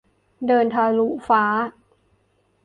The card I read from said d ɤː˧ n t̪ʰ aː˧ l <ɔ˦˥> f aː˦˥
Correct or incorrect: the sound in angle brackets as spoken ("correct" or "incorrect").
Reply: incorrect